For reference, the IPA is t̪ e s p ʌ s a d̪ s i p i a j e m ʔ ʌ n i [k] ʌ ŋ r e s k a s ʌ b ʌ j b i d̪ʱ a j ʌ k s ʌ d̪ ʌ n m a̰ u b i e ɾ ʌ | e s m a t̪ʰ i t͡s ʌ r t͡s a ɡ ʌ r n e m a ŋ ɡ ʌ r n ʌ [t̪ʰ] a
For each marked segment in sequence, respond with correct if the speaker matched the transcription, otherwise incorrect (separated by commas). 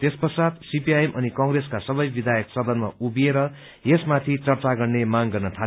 correct, correct